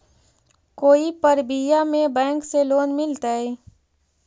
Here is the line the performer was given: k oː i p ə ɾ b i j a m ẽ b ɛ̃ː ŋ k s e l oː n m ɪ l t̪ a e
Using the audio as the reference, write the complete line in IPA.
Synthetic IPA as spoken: k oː i p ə ɾ b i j a m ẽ b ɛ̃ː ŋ k s e l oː n m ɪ l t̪ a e